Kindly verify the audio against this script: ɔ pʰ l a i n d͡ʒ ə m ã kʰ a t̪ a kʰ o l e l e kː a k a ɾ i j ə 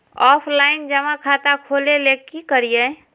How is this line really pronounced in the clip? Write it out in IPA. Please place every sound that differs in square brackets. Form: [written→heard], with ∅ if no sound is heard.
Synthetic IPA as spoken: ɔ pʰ l a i n d͡ʒ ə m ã kʰ a t̪ a kʰ o l e l e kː [a→i] k [a→ə] ɾ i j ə